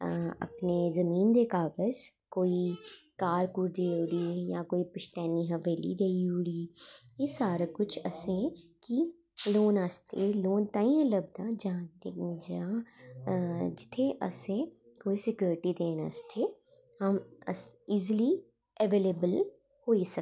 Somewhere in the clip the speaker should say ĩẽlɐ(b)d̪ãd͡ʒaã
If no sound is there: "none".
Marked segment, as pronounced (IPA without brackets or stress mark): b